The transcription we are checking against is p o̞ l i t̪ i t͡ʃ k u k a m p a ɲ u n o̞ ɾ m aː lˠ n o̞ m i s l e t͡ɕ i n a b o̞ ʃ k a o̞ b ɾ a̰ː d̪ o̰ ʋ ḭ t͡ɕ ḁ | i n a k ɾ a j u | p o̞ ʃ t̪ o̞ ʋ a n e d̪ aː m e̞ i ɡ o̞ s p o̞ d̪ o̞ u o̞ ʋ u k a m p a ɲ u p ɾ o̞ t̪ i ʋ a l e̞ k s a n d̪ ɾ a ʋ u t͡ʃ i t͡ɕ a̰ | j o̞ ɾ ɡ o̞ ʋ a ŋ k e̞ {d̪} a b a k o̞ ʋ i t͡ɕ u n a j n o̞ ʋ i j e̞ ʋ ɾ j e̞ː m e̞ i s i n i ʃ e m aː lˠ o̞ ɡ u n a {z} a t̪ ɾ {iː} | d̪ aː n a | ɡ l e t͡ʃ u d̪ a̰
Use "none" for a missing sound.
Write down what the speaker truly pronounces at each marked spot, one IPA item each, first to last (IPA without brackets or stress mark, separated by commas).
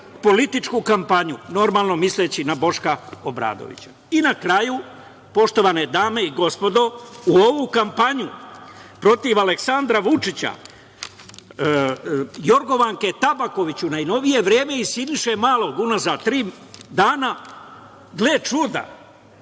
t̪, z, iː